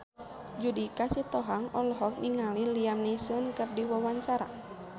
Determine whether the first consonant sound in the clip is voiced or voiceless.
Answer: voiced